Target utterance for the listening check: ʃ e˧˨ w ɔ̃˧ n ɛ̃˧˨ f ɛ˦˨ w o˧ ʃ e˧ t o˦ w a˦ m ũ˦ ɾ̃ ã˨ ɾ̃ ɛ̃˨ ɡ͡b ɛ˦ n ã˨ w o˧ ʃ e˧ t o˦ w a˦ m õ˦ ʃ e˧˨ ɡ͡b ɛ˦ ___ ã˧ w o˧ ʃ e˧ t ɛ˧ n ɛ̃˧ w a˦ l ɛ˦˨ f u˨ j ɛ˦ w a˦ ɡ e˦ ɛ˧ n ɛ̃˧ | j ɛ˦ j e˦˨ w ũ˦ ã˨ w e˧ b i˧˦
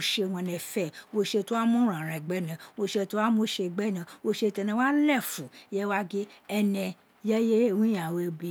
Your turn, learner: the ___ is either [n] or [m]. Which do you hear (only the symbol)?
n